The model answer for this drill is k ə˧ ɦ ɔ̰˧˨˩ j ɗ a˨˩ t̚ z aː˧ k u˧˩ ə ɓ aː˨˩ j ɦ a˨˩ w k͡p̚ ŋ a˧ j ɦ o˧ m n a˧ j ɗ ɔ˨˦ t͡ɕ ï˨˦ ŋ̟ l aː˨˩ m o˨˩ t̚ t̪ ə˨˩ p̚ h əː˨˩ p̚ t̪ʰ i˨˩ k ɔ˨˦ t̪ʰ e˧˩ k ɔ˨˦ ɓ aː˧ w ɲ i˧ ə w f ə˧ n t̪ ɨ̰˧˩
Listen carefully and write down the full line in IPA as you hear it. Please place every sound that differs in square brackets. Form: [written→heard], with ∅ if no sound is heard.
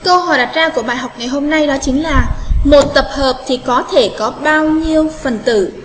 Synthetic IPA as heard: k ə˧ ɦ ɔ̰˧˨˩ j ɗ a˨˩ t̚ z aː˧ k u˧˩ ə ɓ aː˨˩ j ɦ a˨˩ w k͡p̚ ŋ [a˧→a˨˩] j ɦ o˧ m n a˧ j ɗ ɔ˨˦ t͡ɕ ï˨˦ ŋ̟ l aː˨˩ m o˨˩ t̚ t̪ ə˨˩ p̚ h əː˨˩ p̚ t̪ʰ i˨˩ k ɔ˨˦ t̪ʰ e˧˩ k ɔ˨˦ ɓ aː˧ w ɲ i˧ ə w f [ə˧→ə˨˩] n t̪ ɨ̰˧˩

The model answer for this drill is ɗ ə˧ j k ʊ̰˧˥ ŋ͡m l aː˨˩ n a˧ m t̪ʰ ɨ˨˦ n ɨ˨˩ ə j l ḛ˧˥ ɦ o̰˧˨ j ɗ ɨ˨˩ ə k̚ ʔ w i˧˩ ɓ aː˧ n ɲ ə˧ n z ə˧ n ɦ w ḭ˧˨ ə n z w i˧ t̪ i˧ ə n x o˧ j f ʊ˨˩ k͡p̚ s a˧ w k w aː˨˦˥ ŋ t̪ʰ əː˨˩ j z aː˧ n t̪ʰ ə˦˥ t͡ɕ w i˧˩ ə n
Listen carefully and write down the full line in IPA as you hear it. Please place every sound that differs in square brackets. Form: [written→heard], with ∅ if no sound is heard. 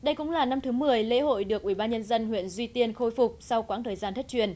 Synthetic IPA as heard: ɗ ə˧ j k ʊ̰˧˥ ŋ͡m l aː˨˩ n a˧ m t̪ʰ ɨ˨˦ [n→m] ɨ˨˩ ə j l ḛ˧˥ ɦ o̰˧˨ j ɗ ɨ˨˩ ə k̚ ʔ w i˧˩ ɓ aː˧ n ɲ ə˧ n z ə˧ n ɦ w ḭ˧˨ ə n z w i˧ t̪ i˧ ə n x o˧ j f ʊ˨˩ k͡p̚ s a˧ w k w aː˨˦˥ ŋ t̪ʰ əː˨˩ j z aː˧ n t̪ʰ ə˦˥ t͡ɕ w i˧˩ ə n

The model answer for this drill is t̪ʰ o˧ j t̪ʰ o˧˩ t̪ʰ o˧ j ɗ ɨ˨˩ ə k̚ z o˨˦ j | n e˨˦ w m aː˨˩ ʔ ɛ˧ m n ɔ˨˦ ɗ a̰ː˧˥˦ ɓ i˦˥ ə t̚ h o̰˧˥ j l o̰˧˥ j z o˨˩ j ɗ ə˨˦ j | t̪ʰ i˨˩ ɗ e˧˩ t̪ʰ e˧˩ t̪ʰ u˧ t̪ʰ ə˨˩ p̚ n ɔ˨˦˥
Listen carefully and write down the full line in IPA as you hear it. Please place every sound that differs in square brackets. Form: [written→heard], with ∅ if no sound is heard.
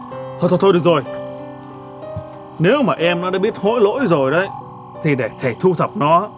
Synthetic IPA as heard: t̪ʰ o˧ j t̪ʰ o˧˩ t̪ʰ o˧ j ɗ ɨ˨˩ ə k̚ z [o˨˦→o˨˩] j | n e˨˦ w m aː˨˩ ʔ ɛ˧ m n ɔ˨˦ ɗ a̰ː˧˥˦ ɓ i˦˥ ə t̚ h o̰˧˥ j l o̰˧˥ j z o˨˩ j ɗ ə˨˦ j | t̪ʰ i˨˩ ɗ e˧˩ t̪ʰ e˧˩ t̪ʰ u˧ t̪ʰ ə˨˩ p̚ n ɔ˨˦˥

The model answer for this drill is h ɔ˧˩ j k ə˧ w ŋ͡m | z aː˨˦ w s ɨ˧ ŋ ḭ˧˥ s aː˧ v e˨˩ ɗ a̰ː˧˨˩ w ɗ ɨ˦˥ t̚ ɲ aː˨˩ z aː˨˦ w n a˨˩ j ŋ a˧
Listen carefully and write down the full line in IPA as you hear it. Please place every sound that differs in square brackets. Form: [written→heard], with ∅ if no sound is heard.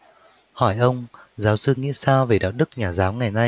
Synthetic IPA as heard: h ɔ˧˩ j [k→ʔ] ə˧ w ŋ͡m | z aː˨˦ w s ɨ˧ ŋ ḭ˧˥ s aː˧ v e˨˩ ɗ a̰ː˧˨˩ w ɗ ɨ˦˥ [t̚→k̚] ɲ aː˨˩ z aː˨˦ w [n→ŋ] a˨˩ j [ŋ→n] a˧

